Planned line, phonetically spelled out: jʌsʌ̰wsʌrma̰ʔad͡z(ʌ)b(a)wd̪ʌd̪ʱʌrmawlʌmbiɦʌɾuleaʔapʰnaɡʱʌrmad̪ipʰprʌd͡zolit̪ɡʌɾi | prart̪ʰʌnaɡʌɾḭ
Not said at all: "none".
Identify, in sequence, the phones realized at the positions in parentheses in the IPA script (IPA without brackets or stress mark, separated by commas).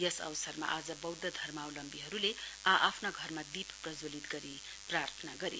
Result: ʌ, ʌ